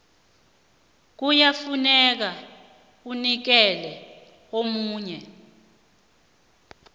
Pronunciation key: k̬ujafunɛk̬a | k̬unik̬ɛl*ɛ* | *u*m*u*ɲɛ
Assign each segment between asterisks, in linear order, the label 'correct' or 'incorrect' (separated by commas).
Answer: correct, incorrect, incorrect